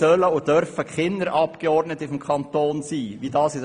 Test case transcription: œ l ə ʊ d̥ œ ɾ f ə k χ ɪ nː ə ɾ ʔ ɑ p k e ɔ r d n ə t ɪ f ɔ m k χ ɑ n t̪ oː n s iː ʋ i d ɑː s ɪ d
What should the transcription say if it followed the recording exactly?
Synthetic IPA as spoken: œ l ə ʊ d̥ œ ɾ f ə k χ ɪ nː ə ɾ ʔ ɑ p k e ɔ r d n ə t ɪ f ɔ m k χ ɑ n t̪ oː n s iː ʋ i d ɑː s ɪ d